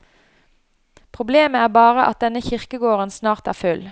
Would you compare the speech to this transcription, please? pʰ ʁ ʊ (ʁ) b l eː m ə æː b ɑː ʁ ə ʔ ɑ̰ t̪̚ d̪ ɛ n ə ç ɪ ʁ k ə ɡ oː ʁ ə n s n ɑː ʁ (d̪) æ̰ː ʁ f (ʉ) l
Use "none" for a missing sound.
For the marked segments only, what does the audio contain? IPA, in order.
none, t̪, ʉ

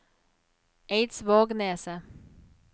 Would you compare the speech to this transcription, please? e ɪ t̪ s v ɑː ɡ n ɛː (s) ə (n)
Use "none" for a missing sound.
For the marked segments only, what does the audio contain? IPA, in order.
s, none

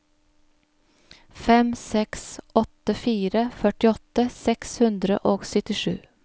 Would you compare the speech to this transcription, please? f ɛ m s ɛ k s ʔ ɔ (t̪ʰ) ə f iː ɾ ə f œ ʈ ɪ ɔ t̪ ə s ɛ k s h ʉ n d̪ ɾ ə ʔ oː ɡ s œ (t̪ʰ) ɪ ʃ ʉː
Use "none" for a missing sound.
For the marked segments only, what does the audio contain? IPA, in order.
t̪, t̪

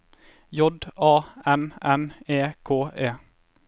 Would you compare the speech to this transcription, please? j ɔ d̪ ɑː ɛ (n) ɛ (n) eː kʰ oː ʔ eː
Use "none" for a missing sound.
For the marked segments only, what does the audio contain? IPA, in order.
n, n

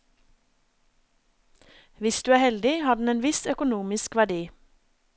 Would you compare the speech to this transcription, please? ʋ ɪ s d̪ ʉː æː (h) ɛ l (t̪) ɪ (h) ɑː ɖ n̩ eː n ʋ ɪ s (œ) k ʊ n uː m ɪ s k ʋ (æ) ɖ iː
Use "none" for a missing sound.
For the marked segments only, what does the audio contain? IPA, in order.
h, d̪, h, œ, æ

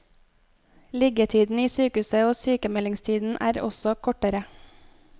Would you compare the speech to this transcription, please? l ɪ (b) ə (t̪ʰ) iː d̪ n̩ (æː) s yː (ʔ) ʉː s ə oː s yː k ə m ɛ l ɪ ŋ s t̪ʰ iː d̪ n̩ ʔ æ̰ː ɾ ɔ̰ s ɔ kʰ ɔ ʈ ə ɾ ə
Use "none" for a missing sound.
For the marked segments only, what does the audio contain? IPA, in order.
ɡ, t̪ʰ, iː, k

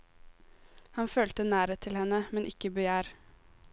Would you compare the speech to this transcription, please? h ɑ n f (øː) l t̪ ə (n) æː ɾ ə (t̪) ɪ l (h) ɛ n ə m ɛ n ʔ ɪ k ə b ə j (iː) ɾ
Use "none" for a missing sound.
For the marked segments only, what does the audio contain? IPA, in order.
øː, n, t̪ʰ, h, æː

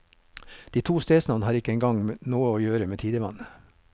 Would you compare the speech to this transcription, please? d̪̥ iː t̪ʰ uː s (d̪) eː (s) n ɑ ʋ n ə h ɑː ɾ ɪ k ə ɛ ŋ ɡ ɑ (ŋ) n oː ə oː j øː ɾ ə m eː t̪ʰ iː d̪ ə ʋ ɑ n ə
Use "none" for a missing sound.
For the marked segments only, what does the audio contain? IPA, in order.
t̪, s, ŋ

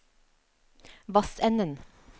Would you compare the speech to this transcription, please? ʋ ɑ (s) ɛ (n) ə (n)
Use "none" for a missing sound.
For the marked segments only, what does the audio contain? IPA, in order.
s, n, n

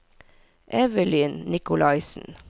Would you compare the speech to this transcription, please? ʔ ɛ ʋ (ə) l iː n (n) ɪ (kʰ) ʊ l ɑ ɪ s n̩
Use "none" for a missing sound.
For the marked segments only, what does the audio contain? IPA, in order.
ə, n, k

